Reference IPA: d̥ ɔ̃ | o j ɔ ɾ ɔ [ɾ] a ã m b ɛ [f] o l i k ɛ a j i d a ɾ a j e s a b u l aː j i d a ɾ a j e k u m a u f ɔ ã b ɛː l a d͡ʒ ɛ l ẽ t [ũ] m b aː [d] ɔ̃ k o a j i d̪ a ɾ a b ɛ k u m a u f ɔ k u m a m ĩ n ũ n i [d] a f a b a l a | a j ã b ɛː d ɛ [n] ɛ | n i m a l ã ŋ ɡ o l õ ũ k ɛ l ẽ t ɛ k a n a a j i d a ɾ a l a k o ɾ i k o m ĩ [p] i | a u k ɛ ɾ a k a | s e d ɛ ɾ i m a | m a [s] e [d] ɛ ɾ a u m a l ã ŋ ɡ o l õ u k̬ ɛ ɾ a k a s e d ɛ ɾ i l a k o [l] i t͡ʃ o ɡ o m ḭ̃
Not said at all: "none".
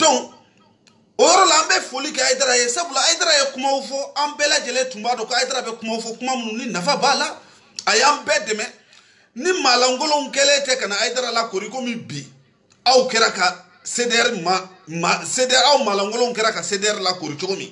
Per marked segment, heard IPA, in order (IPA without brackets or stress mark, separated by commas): l, f, ũ, d, n, m, b, s, d, ɾ